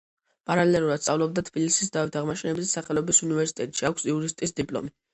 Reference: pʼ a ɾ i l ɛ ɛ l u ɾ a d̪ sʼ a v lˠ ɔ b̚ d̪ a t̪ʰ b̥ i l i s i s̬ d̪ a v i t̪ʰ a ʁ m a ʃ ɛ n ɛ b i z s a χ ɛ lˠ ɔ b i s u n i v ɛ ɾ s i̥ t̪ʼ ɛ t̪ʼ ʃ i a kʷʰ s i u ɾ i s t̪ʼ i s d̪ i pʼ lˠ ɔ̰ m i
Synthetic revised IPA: pʼ a ɾ a l ɛ ɛ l u ɾ a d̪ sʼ a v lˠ ɔ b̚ d̪ a t̪ʰ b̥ i l i s i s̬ d̪ a v i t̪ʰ a ʁ m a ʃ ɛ n ɛ b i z s a χ ɛ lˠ ɔ b i s u n i v ɛ ɾ s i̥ t̪ʼ ɛ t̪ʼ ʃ i a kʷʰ s i u ɾ i s t̪ʼ i s d̪ i pʼ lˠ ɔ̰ m i